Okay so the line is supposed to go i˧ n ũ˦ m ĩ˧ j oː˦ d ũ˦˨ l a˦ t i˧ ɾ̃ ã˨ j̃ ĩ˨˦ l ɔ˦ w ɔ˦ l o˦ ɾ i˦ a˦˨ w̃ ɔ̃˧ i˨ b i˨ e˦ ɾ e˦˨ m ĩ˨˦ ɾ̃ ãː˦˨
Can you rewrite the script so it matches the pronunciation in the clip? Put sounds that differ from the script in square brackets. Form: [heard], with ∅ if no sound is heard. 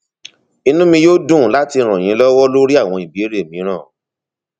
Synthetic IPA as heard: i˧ n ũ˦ m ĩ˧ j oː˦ d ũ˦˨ l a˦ t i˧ ɾ̃ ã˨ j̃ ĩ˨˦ l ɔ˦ w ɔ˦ l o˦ ɾ i˦ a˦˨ w̃ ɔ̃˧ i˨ b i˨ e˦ ɾ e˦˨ m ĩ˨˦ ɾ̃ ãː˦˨